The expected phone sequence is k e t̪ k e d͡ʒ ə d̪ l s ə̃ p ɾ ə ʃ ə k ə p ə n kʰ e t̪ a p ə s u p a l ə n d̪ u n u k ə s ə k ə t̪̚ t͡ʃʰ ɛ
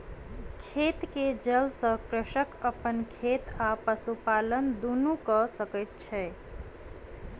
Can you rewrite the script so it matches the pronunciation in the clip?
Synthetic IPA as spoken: kʰ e t̪ k e d͡ʒ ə l s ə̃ k ɾ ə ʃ ə k ə p ə n kʰ e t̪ a p ə s u p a l ə n d̪ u n u k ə s ə k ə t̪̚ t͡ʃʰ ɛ